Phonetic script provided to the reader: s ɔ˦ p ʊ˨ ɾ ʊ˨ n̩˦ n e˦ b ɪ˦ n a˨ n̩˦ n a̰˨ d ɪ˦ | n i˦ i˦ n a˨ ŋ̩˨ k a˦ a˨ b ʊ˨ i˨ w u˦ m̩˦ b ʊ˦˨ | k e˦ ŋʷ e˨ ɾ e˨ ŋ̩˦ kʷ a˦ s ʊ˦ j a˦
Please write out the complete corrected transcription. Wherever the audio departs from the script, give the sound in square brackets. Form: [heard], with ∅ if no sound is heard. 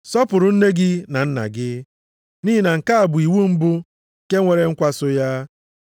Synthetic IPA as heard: s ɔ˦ p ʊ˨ ɾ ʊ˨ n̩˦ n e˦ [ɡ] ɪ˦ n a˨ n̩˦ n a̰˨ [ɡ] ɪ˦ | n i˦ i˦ n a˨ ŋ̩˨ k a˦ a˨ b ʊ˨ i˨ w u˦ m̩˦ b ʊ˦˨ | k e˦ ŋʷ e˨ ɾ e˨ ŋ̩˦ kʷ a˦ s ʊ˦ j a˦